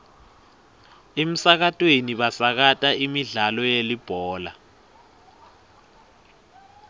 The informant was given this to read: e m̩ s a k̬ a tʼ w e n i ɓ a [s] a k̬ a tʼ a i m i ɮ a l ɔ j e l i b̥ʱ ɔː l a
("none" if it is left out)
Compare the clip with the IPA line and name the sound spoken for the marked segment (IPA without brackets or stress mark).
s